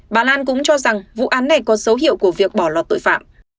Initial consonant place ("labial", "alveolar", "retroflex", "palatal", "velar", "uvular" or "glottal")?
labial